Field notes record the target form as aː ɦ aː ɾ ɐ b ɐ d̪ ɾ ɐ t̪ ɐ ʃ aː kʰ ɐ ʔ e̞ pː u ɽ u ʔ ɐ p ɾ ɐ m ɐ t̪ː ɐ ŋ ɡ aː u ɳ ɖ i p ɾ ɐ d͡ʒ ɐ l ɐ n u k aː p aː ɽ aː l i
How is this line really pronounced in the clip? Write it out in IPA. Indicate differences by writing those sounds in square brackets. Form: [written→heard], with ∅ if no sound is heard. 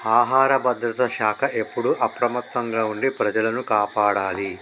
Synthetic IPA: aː ɦ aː ɾ ɐ b ɐ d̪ ɾ ɐ t̪ ɐ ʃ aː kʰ ɐ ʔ e̞ pː u ɽ u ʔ ɐ p ɾ ɐ m ɐ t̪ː ɐ ŋ ɡ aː u ɳ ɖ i p ɾ ɐ d͡ʒ ɐ l ɐ n u k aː p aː ɽ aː l i